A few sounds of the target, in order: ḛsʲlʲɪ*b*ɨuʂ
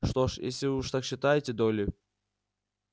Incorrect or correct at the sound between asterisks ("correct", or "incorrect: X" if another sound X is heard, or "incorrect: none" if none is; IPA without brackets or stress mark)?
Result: incorrect: v